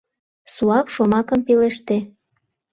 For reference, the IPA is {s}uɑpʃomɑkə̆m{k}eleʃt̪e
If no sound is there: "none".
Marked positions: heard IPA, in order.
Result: s, p

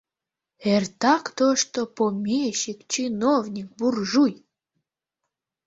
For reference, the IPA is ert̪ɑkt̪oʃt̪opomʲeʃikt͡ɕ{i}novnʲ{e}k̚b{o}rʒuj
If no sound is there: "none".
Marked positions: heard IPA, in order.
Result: i, i, u

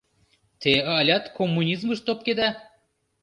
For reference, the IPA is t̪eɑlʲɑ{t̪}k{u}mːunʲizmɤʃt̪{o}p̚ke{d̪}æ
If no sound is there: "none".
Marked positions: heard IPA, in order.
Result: t̪, o, o, d̪

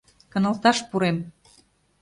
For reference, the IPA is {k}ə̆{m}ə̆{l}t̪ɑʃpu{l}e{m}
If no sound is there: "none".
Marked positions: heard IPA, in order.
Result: k, n, l, ɾ, m

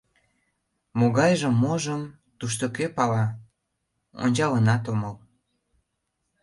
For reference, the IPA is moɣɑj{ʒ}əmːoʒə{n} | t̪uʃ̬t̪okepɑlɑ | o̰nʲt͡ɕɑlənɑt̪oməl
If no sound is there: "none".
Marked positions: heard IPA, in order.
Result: ʒ, m

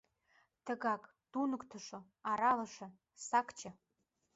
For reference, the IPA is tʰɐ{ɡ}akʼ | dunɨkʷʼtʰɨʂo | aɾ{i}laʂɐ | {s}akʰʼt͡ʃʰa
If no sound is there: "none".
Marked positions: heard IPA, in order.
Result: ɡ, a, s

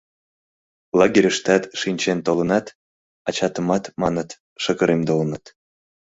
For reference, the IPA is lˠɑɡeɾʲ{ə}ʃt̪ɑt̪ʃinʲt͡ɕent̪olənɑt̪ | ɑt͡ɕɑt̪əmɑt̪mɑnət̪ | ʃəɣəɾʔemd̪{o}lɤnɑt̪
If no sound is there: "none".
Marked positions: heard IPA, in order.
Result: ə, o

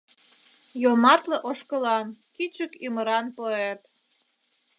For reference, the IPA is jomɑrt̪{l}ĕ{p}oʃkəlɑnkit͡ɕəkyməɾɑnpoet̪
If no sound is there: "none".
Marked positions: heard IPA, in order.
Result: l, ʔ

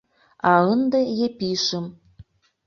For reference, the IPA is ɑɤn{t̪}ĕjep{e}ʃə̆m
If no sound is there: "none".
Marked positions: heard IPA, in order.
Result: d̪, i

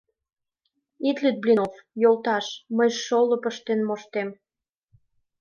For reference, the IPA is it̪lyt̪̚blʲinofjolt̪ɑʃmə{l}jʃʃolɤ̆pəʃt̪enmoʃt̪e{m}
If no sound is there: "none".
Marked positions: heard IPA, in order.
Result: none, m

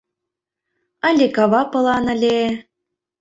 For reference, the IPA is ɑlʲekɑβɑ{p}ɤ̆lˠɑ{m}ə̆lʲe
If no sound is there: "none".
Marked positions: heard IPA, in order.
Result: p, n

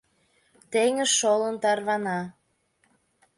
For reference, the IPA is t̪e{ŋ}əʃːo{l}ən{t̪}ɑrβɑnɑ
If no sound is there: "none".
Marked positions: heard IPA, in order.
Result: ŋ, l, t̪

